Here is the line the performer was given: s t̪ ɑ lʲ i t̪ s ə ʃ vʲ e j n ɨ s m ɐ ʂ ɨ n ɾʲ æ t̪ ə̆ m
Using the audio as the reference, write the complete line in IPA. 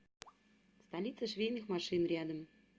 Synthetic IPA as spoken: s t̪ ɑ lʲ i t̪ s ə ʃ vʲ e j n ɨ x m ɑ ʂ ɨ n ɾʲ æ d̪ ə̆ m